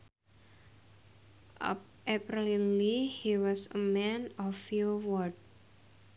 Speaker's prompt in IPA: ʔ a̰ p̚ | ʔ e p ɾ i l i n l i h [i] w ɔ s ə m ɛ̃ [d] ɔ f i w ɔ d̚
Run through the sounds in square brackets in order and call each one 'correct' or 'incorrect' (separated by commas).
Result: correct, incorrect